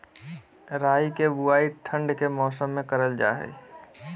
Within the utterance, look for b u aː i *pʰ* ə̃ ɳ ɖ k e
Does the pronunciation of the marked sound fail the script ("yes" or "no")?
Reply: yes